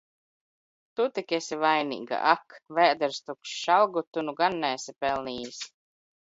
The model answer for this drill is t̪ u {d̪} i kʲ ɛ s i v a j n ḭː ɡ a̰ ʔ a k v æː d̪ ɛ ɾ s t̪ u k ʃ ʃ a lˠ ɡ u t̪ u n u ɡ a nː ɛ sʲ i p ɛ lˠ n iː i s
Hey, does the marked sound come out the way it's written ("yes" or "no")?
no